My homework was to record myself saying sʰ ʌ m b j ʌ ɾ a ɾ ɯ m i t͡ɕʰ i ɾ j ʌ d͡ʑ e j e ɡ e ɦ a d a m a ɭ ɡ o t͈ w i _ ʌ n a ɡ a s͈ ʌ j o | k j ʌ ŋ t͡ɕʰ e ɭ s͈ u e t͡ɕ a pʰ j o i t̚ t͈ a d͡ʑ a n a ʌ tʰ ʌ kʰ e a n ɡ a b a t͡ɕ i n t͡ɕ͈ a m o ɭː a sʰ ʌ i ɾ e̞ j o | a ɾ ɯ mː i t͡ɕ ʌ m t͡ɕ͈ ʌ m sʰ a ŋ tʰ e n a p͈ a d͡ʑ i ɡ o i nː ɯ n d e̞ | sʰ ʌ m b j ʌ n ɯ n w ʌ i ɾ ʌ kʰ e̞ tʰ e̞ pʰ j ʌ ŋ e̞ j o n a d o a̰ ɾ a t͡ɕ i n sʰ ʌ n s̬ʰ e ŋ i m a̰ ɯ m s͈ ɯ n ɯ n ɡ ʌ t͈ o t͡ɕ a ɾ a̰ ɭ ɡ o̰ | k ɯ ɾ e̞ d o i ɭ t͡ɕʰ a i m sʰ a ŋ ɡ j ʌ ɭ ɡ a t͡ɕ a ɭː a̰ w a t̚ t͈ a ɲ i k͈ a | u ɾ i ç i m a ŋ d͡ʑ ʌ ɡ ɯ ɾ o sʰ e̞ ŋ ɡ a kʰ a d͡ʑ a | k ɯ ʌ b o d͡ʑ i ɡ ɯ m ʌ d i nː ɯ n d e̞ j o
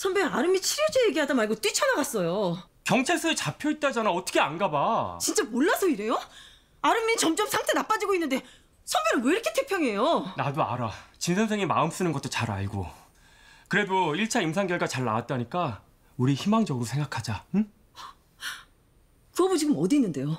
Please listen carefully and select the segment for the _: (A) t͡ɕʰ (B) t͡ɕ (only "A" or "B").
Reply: A